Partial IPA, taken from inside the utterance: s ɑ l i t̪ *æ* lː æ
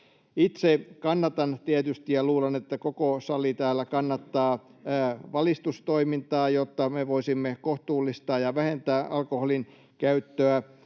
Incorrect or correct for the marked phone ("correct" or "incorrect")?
incorrect